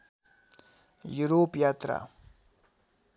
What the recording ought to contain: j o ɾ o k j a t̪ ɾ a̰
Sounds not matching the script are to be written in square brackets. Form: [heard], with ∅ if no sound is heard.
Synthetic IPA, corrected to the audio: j [u] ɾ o [p] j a t̪ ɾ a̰